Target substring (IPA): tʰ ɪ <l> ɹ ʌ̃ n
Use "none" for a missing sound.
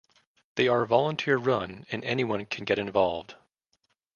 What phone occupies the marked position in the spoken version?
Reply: ɹ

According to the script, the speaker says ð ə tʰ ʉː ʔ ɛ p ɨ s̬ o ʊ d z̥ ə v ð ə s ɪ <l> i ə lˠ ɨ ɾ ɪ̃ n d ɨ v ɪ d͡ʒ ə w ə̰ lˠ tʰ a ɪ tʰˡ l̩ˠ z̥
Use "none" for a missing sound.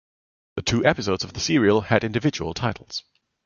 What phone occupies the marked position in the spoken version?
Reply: ɹ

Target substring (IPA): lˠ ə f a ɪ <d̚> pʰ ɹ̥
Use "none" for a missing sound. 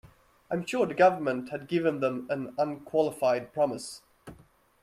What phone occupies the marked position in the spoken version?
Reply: d̚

